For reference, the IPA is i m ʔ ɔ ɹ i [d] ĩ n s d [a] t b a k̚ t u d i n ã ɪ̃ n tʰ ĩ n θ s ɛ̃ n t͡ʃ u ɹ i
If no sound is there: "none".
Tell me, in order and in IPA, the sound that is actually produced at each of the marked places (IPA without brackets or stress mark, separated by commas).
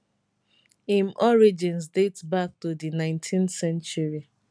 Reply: d͡ʒ, e